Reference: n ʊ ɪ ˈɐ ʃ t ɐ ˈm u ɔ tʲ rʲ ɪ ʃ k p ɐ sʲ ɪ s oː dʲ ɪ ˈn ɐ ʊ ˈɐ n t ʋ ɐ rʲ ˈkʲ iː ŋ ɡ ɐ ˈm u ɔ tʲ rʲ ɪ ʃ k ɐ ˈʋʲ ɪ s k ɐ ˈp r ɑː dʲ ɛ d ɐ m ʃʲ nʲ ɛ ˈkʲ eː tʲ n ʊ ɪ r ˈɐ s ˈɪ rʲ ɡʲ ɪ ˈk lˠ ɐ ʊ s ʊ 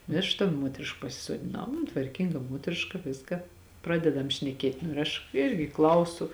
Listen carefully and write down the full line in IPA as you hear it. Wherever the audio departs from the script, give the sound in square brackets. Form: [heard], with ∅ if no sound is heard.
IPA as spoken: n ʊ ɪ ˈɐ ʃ t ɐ ˈm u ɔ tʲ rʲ ɪ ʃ k p ɐ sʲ ɪ s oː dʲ ɪ ˈn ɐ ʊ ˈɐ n t ʋ ɐ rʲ ˈkʲ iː ŋ ɡ ɐ ˈm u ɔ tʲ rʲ ɪ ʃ k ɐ ˈʋʲ ɪ s k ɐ ˈp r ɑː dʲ ɛ d ɐ m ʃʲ nʲ ɛ ˈkʲ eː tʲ n ʊ ɪ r ˈɐ [ʃ] ˈɪ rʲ ɡʲ ɪ ˈk lˠ ɐ ʊ s ʊ